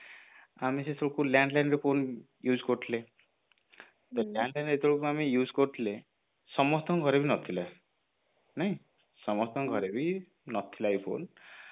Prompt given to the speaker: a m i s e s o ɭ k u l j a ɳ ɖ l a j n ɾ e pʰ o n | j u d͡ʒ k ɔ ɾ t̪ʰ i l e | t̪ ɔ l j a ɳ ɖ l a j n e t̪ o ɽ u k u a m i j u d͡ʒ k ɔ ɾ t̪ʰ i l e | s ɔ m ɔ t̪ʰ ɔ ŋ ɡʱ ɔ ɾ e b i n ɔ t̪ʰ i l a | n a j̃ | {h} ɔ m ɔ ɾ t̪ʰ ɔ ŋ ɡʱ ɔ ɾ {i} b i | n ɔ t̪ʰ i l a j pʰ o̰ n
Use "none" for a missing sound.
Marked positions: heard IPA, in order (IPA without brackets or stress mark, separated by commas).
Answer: s, e